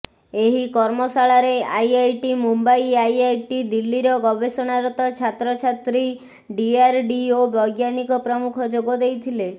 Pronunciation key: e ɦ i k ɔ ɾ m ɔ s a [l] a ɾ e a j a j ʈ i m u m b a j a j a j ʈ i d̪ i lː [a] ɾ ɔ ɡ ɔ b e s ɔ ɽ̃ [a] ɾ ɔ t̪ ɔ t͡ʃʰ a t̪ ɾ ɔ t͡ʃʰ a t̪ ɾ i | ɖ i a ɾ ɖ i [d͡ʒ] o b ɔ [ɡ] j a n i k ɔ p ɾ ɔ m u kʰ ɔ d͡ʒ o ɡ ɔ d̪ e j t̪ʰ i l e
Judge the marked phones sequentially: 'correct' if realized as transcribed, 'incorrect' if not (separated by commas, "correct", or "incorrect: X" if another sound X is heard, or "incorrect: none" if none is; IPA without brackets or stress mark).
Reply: incorrect: ɭ, incorrect: i, correct, incorrect: none, correct